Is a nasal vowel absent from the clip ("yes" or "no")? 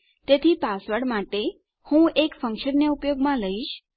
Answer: no